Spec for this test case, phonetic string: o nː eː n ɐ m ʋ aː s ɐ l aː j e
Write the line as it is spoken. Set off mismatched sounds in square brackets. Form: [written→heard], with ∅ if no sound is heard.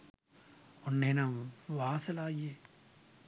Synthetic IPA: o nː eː n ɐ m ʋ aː s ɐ l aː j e

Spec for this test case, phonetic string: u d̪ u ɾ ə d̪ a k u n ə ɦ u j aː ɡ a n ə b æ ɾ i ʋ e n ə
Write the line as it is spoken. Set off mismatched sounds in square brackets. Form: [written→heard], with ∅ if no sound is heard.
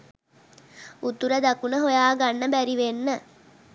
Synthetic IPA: u [d̪→t̪] u ɾ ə d̪ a k u n ə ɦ [u→o] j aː ɡ a [n→nː] ə b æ ɾ i ʋ e [n→nː] ə

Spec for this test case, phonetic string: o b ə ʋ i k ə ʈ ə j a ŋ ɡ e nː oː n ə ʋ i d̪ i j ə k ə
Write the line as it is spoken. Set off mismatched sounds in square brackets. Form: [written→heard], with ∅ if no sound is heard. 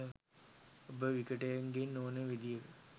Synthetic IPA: o b ə ʋ i k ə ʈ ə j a ŋ ɡ e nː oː n ə ʋ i d̪ i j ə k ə

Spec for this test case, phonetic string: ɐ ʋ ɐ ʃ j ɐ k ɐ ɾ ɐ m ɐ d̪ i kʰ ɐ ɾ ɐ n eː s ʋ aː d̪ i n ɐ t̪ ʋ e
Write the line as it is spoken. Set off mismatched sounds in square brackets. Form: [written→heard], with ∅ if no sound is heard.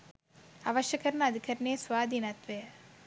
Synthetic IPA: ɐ ʋ ɐ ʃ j ɐ k ɐ ɾ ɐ [m→n] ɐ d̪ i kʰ ɐ ɾ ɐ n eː s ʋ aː d̪ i n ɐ t̪ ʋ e

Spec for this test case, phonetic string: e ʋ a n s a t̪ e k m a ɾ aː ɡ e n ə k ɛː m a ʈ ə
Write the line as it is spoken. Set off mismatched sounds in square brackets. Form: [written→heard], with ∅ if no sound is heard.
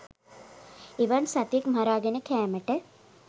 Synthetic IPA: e ʋ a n s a t̪ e k m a ɾ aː ɡ e n ə k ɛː m [a→ə] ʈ ə

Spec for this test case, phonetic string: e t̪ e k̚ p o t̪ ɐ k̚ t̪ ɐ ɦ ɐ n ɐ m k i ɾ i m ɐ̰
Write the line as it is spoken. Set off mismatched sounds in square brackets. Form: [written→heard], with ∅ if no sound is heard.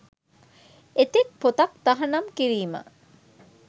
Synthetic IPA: e t̪ e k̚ p o t̪ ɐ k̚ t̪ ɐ ɦ ɐ n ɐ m k i ɾ [i→iː] m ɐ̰

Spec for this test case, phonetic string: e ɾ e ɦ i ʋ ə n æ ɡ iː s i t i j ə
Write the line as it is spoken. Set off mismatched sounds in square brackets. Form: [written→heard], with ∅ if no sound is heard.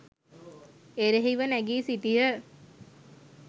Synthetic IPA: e ɾ e ɦ i ʋ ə n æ ɡ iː s i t i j ə

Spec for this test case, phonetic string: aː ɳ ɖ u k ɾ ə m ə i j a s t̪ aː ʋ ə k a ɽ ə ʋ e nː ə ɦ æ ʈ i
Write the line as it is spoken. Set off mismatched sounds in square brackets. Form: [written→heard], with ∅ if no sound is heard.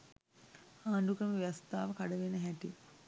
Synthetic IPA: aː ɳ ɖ u k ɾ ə m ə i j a s t̪ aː ʋ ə k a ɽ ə ʋ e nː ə ɦ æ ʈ i

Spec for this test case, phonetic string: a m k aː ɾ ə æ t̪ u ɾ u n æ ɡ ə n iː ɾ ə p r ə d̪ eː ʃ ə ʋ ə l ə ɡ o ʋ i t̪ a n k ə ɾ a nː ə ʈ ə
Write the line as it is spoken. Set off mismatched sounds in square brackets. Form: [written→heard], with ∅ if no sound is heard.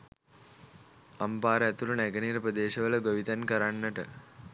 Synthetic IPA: a m [k→p] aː ɾ ə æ t̪ u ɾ u n æ ɡ ə n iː ɾ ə p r ə d̪ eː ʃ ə ʋ ə l ə ɡ o ʋ i t̪ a n k ə ɾ a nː ə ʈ ə

